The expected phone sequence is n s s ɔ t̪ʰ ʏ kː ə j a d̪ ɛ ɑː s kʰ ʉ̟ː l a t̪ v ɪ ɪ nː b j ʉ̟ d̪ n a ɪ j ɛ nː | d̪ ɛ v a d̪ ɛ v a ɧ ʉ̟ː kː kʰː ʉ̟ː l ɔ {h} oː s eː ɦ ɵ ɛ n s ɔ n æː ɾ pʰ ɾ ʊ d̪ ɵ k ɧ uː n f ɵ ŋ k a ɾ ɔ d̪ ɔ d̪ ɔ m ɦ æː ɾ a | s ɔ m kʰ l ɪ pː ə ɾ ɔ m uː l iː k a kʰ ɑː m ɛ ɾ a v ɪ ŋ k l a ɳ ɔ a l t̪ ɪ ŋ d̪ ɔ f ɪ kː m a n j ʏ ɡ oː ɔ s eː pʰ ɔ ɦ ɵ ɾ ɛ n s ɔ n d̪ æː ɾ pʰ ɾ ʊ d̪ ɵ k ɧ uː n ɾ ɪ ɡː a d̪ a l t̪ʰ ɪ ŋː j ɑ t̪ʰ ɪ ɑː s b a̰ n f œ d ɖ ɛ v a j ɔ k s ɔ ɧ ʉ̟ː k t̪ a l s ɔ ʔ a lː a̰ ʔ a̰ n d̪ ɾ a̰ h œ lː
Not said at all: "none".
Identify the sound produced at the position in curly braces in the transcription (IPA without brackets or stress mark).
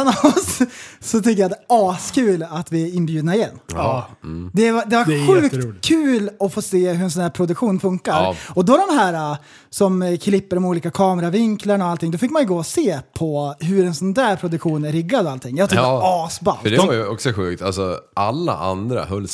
f